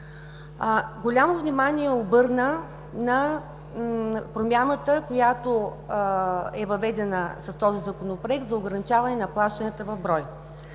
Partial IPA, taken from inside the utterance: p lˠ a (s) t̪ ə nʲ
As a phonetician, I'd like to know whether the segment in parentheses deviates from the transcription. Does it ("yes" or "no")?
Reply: yes